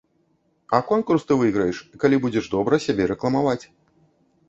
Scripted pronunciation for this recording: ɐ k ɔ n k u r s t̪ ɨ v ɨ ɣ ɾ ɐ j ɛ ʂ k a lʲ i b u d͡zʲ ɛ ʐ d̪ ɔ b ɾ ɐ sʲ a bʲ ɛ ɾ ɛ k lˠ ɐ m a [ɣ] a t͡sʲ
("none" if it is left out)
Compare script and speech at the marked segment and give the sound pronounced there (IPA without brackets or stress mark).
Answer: v